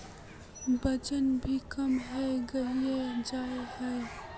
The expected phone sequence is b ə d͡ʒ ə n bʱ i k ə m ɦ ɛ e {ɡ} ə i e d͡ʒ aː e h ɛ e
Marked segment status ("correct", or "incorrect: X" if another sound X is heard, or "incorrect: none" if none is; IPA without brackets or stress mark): correct